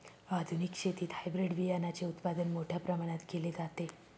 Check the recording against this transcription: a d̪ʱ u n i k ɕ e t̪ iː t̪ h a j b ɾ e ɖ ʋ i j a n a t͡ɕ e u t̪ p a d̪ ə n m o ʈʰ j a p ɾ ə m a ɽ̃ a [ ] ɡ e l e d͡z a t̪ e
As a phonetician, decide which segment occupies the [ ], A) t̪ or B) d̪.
A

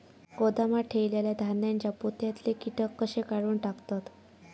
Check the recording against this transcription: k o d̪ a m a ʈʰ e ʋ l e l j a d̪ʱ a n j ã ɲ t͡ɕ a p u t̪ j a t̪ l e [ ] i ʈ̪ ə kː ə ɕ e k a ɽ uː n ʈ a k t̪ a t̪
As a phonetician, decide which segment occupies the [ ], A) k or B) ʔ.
A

